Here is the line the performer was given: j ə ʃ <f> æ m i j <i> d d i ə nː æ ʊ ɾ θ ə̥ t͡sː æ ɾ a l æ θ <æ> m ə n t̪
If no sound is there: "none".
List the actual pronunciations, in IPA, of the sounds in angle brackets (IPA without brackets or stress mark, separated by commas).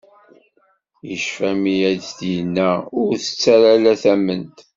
f, æ, æ